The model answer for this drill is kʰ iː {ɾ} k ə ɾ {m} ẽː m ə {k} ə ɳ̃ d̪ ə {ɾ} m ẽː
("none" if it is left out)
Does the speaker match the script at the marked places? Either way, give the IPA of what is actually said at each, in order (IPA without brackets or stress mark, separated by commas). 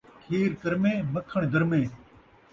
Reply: ɾ, m, kʰ, ɾ